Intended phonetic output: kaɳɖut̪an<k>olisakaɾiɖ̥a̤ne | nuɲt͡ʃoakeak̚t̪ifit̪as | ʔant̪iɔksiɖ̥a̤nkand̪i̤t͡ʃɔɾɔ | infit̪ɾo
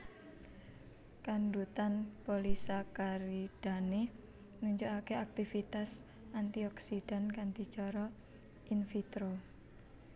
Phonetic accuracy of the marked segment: incorrect: p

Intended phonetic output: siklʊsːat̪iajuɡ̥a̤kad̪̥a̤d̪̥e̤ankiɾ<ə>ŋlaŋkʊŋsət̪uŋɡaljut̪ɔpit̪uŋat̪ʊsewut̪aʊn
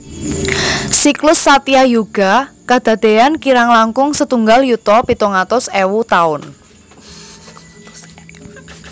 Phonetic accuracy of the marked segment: incorrect: a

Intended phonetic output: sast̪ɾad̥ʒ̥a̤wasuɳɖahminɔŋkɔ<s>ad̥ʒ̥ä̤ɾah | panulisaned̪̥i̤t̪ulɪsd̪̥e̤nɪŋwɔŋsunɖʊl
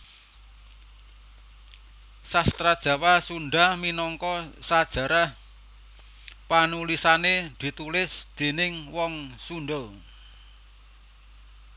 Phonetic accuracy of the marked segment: correct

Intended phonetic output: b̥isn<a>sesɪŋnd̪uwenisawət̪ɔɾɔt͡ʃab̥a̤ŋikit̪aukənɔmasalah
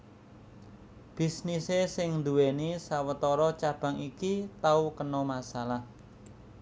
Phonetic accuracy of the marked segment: incorrect: i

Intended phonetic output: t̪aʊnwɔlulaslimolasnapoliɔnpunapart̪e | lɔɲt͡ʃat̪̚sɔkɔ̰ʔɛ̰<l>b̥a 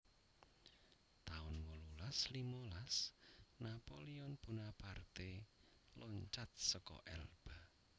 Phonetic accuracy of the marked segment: correct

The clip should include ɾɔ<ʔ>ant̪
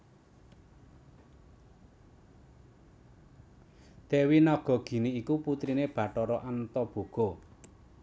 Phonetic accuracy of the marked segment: correct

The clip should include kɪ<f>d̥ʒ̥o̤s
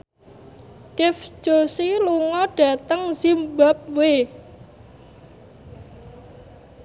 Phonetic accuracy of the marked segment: correct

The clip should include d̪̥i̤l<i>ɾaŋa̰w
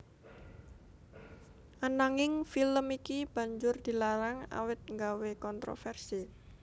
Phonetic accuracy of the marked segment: incorrect: a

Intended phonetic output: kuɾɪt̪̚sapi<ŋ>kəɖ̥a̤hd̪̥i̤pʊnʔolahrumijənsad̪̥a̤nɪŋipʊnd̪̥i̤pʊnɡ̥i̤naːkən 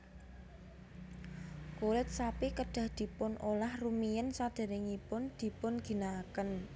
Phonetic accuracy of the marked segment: incorrect: none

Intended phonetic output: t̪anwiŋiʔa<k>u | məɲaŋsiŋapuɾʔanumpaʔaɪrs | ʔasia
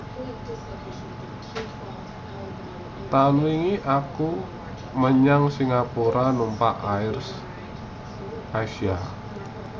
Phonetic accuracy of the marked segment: correct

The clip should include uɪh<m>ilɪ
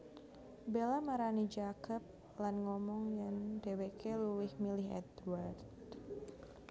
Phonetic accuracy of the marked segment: correct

